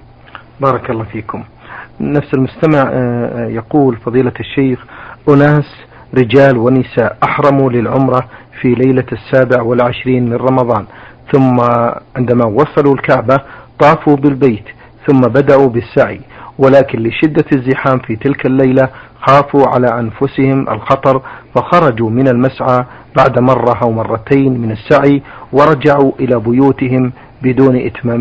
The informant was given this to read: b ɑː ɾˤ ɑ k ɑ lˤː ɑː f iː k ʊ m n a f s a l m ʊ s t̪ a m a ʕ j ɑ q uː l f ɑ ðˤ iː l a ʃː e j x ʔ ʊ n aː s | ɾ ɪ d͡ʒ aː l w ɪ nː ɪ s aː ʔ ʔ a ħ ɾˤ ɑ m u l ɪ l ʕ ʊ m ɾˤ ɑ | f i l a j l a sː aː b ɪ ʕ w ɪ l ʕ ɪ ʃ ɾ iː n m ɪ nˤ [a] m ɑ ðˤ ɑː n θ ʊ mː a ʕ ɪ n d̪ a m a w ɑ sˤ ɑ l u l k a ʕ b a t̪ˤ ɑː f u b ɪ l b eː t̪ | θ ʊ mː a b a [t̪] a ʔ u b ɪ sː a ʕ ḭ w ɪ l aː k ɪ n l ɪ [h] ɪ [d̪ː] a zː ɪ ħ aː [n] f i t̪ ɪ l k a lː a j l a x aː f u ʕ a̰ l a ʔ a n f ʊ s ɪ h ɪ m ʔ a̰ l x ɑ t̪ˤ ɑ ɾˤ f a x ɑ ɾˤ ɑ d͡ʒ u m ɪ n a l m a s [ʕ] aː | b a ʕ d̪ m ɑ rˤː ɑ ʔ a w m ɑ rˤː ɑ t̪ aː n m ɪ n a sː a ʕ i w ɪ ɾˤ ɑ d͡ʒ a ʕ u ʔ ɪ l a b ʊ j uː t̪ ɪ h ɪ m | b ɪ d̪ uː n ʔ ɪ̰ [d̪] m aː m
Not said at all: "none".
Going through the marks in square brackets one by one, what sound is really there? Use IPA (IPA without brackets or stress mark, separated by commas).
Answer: ɑ, d̪, ʃ, d̪ː, m, ʕ, t̪